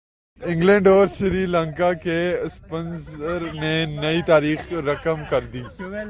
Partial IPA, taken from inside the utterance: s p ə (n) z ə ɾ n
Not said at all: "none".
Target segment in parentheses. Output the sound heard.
n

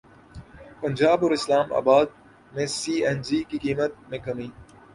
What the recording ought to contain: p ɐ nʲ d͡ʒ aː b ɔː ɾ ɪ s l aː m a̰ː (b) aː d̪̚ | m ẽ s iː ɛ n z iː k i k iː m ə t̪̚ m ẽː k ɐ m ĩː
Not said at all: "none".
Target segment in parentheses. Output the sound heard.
b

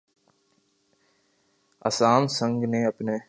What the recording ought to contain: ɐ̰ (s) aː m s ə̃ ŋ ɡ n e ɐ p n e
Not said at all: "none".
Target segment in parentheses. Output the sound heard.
s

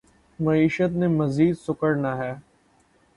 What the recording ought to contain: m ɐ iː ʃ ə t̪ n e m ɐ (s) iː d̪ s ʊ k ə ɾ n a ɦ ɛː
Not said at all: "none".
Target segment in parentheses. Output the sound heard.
z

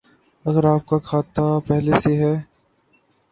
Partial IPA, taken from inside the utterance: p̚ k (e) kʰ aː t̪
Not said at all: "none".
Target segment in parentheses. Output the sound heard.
a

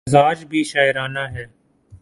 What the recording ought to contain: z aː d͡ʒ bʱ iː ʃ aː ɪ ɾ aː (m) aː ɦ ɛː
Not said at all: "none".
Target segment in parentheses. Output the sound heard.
n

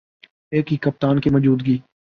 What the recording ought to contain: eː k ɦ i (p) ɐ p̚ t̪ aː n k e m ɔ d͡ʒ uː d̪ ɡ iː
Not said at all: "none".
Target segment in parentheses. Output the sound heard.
k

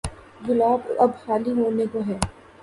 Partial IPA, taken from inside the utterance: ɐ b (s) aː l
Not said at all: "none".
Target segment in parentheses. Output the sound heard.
h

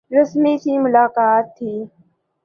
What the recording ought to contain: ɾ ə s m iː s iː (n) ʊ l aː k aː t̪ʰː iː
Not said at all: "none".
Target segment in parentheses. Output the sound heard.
m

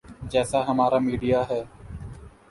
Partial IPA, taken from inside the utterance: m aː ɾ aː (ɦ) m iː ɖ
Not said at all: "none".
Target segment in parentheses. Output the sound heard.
none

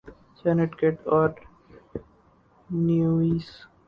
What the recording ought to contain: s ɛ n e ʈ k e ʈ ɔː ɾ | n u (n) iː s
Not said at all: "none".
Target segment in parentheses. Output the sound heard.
none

